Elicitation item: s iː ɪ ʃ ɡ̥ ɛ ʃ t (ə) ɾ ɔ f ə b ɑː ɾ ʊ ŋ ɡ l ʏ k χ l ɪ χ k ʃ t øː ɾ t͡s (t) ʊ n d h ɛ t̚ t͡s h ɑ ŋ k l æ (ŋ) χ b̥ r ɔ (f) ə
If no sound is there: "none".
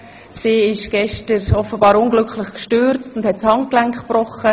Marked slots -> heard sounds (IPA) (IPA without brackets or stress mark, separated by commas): ə, t, ŋ, χ